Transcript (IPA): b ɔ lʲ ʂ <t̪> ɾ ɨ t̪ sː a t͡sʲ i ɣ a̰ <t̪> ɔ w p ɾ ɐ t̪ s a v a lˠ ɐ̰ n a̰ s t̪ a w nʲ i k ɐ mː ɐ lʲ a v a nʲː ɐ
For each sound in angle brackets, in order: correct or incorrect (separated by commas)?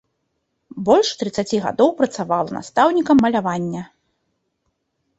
correct, incorrect